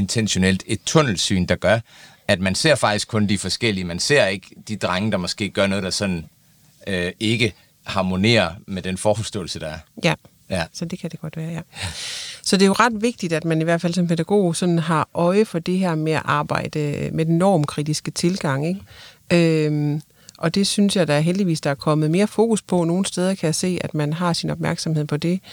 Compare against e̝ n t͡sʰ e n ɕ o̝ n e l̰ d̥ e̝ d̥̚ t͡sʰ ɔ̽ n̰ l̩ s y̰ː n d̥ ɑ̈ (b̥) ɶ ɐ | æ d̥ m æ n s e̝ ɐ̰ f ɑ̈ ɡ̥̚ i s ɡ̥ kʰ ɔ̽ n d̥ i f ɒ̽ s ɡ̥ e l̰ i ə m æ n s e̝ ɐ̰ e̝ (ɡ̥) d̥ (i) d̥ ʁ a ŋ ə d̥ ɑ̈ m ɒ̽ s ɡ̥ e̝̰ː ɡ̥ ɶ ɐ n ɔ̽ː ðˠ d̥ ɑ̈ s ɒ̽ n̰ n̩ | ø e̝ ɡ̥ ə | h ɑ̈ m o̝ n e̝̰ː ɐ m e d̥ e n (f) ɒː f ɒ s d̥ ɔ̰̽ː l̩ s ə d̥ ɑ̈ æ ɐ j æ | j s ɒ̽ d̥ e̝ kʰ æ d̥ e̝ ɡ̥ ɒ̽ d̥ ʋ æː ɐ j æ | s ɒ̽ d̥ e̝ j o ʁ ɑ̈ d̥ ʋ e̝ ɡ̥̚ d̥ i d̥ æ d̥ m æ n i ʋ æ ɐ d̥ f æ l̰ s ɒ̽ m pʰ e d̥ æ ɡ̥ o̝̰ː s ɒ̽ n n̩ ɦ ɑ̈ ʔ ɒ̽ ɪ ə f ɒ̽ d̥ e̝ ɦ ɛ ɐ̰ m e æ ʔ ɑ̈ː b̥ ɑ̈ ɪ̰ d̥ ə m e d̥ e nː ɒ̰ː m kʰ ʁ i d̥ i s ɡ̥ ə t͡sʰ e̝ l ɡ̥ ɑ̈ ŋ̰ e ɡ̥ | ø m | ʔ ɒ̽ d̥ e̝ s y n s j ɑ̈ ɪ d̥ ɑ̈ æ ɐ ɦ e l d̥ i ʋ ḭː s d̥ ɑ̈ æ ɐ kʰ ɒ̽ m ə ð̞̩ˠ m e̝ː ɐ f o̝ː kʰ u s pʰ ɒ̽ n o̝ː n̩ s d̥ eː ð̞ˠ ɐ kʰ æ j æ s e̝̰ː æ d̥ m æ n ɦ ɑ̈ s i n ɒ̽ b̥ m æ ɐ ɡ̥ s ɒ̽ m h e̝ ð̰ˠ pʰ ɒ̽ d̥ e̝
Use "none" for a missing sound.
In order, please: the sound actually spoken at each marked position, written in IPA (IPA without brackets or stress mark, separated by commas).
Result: ɡ̥, ɡ̥, i, f